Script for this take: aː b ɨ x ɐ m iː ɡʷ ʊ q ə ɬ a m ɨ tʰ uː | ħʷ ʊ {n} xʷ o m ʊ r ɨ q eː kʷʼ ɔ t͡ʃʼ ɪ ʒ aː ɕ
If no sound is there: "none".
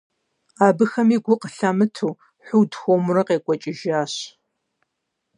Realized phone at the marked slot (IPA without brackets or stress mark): d